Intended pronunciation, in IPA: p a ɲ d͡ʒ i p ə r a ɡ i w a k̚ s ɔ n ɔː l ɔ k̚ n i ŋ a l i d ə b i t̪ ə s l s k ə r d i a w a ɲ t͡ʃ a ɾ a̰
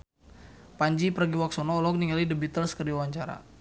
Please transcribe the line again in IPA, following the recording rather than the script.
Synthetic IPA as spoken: p a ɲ d͡ʒ i p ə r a ɡ i w a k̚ s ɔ n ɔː l ɔ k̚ n i ŋ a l i d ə b i t̪ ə l s k ə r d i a w a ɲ t͡ʃ a ɾ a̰